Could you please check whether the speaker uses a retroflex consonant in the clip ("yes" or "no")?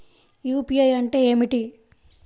yes